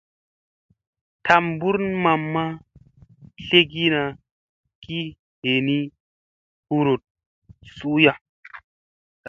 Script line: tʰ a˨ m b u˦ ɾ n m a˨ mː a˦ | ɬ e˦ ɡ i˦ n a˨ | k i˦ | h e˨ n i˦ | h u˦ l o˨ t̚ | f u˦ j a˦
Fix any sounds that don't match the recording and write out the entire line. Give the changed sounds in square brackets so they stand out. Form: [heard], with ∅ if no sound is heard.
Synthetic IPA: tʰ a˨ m b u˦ ɾ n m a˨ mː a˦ | ɬ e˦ ɡ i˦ n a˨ | k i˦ | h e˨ n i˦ | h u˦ [ɾ] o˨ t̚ | [s] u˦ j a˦